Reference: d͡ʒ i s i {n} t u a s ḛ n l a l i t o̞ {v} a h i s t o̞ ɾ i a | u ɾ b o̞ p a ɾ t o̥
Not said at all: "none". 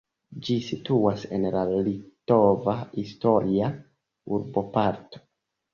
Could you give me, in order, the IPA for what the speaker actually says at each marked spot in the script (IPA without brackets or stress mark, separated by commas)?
none, v